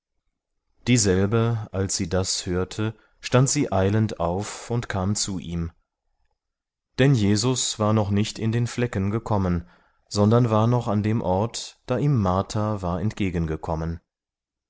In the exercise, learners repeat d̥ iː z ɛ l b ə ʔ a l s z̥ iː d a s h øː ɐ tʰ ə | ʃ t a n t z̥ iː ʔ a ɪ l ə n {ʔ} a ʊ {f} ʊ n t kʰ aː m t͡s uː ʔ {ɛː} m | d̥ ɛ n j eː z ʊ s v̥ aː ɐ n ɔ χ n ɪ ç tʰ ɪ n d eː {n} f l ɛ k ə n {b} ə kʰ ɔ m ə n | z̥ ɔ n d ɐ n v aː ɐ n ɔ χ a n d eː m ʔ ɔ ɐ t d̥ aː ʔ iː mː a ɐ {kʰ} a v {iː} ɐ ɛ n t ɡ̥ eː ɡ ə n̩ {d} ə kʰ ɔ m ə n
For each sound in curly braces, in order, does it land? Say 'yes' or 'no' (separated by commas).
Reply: no, yes, no, yes, no, no, no, no